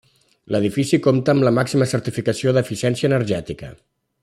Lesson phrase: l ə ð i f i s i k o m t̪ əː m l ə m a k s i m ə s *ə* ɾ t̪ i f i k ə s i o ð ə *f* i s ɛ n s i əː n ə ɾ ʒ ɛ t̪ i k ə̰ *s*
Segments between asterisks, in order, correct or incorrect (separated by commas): correct, correct, incorrect